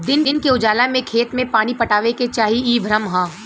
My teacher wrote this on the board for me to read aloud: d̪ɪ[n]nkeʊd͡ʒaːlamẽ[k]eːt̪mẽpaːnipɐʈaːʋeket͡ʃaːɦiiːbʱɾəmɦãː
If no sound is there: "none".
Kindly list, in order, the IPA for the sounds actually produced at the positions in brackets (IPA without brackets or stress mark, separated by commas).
n, kʰ